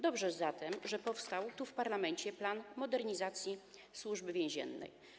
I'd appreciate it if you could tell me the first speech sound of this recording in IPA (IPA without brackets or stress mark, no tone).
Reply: d̪